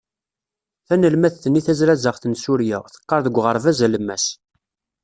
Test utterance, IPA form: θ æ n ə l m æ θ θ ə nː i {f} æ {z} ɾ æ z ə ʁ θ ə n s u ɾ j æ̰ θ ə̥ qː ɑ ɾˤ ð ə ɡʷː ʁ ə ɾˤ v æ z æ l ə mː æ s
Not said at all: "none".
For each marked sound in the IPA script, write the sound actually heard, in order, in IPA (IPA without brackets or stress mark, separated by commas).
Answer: θ, z